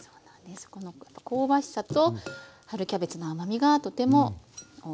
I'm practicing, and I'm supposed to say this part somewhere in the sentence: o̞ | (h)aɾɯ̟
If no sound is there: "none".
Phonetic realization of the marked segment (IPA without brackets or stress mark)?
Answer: h